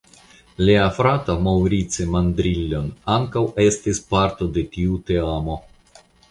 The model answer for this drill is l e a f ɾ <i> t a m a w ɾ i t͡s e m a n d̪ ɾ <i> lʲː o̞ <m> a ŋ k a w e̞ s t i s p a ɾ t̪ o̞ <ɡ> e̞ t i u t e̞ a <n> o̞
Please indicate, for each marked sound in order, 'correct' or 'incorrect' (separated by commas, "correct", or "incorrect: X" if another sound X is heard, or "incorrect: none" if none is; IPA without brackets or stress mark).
incorrect: a, correct, incorrect: n, incorrect: d, incorrect: m